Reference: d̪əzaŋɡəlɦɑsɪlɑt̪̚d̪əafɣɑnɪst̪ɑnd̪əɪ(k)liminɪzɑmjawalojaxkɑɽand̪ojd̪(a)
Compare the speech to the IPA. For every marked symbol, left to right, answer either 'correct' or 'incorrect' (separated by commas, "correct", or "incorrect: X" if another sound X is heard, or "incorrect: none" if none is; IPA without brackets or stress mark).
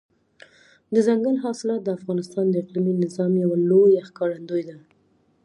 incorrect: q, correct